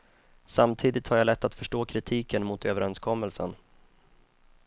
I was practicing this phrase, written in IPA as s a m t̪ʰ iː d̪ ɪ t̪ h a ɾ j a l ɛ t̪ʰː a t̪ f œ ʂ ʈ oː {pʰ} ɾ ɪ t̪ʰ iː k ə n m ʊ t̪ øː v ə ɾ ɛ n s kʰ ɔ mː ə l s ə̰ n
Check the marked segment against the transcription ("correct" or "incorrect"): incorrect